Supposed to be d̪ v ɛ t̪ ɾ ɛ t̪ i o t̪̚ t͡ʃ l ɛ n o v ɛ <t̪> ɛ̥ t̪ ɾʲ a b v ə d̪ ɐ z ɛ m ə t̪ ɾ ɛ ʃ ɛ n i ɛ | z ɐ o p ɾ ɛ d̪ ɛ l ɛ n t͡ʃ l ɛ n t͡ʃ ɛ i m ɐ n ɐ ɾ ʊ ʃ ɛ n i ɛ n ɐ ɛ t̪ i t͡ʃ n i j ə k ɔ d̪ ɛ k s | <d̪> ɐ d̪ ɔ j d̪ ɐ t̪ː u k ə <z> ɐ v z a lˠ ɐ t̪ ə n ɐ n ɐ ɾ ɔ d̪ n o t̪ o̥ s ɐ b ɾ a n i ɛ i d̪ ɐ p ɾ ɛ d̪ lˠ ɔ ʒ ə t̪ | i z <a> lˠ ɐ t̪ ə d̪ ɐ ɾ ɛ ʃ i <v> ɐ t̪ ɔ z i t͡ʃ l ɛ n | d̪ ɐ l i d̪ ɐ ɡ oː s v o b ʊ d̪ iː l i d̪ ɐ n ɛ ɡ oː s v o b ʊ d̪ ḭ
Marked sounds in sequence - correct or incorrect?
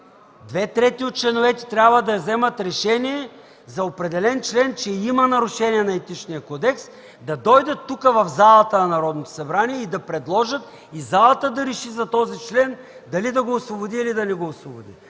correct, correct, incorrect, correct, incorrect

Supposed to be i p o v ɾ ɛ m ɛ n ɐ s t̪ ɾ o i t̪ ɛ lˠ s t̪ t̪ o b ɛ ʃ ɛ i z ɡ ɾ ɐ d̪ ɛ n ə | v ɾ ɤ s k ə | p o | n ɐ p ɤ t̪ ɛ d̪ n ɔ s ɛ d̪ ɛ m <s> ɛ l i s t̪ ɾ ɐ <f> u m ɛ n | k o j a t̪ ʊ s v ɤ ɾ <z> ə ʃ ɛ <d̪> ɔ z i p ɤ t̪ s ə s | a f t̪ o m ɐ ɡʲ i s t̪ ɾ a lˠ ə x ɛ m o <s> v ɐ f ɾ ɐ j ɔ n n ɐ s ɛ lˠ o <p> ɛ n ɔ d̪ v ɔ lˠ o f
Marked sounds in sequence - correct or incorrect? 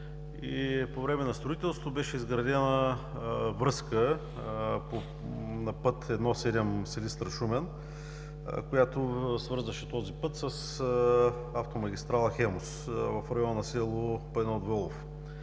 correct, incorrect, correct, incorrect, correct, correct

